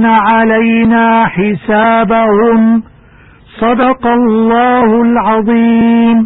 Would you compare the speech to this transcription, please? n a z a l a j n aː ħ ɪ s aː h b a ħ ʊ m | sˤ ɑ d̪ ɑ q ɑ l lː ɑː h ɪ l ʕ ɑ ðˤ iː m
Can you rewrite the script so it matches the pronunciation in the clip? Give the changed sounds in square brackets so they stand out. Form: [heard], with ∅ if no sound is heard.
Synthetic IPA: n a [ʕ] a l a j n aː ħ ɪ s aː [∅] b a [h] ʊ m | sˤ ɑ d̪ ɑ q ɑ l lː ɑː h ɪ l ʕ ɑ ðˤ iː m